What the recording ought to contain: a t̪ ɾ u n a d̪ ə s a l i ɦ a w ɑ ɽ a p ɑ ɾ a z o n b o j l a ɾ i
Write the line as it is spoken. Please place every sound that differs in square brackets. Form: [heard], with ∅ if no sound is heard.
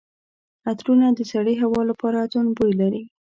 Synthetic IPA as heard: a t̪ ɾ u n a d̪ ə s a [ɽ] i ɦ a w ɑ [l] a p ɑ ɾ a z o n b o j l a ɾ i

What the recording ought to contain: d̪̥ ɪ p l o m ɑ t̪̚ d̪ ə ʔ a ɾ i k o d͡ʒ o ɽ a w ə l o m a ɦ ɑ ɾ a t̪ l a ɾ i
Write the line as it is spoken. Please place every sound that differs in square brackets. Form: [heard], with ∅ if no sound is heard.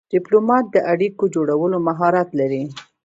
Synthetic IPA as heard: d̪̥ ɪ p l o m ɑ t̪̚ d̪ ə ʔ a [ɽ] i k o d͡ʒ o ɽ a w ə l o m a ɦ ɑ ɾ a t̪ l a ɾ i

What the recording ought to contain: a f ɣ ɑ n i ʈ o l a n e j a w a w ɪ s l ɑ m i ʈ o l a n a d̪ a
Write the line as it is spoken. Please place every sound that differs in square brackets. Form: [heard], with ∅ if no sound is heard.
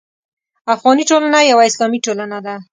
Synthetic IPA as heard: a f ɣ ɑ n i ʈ o l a n [a] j a w a [∅] ɪ s l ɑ m i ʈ o l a n a d̪ a

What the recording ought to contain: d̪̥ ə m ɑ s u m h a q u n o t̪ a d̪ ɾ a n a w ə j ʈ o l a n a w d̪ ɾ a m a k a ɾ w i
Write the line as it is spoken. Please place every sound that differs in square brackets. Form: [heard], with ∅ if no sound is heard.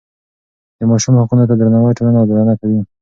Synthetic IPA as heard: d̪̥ ə m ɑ [ʃ] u m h a q u n o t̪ a d̪ ɾ a n a w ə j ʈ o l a n a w d̪ ɾ a [n] a k a [∅] w i

